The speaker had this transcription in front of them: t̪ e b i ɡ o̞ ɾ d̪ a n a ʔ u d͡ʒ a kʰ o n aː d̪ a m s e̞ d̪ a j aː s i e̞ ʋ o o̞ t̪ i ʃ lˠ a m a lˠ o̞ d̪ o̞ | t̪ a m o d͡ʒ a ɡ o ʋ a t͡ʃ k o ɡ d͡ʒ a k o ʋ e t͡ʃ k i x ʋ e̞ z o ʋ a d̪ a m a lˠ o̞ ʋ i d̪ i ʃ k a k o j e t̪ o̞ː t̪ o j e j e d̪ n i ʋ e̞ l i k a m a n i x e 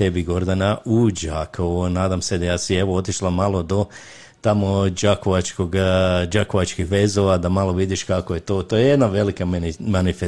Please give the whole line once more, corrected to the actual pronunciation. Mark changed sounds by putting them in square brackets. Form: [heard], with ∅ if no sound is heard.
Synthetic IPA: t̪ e b i ɡ o̞ ɾ d̪ a n a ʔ u d͡ʒ a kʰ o n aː d̪ a m s e̞ d̪ a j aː s i e̞ ʋ o o̞ t̪ i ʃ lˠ a m a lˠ o̞ d̪ o̞ | t̪ a m o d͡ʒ a [k] o ʋ a t͡ʃ k o ɡ d͡ʒ a k o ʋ [a] t͡ʃ k i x ʋ e̞ z o ʋ a d̪ a m a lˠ o̞ ʋ i d̪ i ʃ k a k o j e t̪ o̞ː t̪ o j e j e d̪ n [a] ʋ e̞ l i k a m a n i [f] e